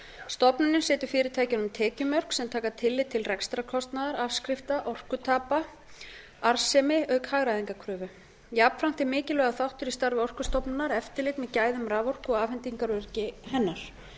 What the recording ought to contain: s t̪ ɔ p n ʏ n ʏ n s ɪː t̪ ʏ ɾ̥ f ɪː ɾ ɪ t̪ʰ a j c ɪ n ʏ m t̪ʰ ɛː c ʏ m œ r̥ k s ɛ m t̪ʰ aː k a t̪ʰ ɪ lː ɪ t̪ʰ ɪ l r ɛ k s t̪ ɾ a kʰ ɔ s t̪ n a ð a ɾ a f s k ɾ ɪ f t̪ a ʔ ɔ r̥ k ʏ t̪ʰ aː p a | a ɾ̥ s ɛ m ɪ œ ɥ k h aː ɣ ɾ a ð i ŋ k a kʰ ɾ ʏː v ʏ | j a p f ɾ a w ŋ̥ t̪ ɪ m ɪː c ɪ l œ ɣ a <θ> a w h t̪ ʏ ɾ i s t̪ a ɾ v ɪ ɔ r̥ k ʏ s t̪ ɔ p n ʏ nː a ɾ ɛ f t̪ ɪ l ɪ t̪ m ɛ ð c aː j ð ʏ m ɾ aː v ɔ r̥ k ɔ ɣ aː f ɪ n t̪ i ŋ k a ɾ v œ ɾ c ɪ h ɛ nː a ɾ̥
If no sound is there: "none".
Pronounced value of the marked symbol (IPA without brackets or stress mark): θ